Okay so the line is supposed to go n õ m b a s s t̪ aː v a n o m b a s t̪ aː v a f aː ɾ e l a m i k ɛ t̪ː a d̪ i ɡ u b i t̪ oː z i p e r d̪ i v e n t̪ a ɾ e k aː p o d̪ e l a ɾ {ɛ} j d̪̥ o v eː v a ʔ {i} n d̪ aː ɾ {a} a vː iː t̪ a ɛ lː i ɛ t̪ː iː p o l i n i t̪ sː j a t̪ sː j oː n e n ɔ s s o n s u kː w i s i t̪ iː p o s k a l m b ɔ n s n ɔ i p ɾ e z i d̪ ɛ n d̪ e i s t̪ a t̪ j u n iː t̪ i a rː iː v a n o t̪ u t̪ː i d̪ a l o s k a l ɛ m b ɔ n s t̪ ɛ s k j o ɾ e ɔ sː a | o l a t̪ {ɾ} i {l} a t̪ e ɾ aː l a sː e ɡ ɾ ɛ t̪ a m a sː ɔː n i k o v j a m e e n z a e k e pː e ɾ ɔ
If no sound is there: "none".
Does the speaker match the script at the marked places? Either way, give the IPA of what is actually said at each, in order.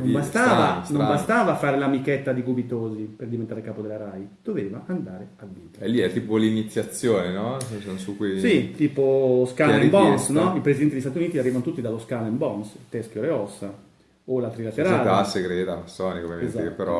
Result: a, a, e, ɾ, l

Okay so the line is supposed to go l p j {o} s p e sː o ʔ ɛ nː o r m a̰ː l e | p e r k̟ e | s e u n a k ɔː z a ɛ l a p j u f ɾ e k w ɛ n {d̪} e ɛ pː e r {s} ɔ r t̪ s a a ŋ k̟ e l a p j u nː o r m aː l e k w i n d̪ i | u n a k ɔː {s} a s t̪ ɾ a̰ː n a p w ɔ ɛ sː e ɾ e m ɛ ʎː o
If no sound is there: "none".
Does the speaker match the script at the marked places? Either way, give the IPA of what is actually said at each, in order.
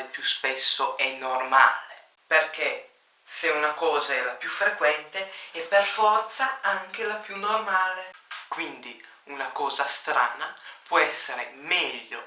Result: u, t̪, f, z

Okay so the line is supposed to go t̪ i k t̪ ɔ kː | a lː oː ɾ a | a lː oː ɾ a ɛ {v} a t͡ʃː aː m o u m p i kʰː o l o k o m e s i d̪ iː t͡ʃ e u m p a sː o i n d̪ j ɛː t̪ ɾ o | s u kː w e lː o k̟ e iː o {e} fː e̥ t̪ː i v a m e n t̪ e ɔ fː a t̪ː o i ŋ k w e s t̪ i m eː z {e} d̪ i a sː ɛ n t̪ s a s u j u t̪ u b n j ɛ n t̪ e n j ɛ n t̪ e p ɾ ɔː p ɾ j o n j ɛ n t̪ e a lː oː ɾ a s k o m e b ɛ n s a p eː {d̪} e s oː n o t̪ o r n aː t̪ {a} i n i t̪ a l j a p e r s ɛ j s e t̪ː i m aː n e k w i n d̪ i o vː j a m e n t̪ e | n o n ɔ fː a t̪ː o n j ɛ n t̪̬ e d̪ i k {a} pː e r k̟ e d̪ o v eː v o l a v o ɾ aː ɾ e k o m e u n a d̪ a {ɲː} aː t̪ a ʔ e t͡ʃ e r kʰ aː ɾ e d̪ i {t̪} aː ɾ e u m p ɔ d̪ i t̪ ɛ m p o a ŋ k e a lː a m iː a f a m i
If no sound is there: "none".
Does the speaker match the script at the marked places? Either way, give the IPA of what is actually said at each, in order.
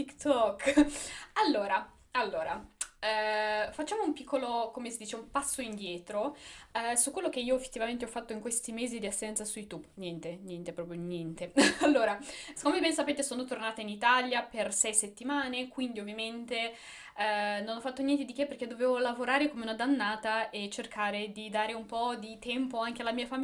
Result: f, e, i, t̪, a, e, nː, d̪

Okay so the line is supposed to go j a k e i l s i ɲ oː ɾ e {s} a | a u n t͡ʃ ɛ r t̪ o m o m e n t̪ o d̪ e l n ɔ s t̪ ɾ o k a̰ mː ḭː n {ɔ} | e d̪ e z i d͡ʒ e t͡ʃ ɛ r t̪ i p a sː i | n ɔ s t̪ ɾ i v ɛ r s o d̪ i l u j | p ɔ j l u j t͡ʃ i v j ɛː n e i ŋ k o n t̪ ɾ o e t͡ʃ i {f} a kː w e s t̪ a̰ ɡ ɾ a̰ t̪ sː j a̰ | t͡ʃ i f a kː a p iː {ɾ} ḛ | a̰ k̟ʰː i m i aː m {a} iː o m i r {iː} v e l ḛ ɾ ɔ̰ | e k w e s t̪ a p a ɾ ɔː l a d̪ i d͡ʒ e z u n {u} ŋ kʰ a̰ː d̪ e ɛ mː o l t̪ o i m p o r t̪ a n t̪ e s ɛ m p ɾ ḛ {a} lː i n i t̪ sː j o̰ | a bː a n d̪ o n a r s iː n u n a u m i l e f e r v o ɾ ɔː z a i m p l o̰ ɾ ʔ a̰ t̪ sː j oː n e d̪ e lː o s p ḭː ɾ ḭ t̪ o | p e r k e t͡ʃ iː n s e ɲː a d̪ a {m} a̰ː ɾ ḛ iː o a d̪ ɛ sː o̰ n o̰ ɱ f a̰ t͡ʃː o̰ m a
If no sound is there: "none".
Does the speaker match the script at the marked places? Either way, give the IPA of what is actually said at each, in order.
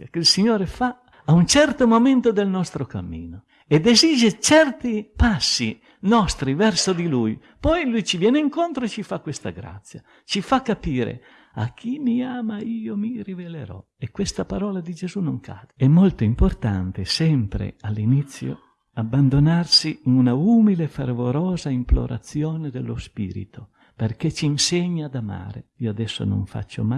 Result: f, o, f, ɾ, a, i, o, a, m

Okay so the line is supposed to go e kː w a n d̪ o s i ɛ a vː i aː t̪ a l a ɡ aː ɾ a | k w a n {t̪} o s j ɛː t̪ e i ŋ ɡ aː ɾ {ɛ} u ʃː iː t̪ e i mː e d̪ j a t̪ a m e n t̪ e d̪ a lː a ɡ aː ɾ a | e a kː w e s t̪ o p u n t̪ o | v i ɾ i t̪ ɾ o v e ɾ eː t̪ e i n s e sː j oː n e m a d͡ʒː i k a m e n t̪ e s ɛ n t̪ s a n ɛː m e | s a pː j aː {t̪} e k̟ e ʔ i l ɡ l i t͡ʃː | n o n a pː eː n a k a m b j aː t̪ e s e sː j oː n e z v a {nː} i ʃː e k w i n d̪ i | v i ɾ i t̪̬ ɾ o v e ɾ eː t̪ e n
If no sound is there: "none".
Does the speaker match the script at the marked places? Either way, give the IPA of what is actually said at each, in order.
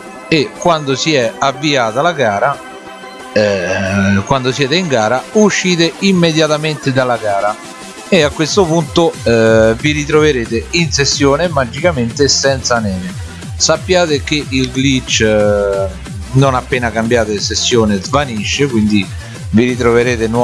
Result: d̪, a, t̪, n

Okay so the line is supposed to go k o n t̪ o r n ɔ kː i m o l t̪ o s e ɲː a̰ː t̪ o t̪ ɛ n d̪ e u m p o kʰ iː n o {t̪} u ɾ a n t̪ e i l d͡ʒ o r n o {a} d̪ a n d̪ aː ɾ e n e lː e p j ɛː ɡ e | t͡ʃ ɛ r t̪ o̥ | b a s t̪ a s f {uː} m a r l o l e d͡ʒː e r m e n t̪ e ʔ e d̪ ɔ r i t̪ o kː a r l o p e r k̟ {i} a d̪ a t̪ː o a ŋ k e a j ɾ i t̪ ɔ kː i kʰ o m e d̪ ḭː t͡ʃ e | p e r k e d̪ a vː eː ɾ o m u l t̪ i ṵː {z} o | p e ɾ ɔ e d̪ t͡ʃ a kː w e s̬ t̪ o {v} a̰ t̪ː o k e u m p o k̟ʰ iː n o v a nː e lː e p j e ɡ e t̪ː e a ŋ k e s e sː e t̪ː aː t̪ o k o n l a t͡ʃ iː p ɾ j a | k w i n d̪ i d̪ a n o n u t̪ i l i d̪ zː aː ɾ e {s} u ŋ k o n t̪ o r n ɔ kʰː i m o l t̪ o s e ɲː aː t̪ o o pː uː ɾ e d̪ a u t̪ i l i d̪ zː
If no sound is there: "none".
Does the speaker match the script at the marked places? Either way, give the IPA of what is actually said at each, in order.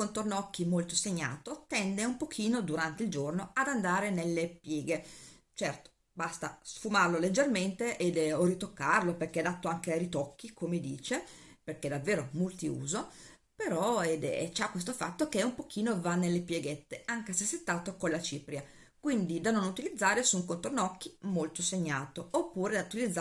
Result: d̪, a, u, e, z, f, s

